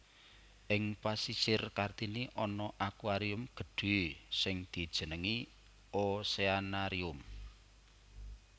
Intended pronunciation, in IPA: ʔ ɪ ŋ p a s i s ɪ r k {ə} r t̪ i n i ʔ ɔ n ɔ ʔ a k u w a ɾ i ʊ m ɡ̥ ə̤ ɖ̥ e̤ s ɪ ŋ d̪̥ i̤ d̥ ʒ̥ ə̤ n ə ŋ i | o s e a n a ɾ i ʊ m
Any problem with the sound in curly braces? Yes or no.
yes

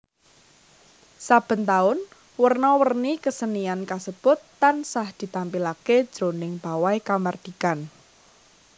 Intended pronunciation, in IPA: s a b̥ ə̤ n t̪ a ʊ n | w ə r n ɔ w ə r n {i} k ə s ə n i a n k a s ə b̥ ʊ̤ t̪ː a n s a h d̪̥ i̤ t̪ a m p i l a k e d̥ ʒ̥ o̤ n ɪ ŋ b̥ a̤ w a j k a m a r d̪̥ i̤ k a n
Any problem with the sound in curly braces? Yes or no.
no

